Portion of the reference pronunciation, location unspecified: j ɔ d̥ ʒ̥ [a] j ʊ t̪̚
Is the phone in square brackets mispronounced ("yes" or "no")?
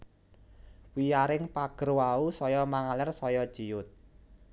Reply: yes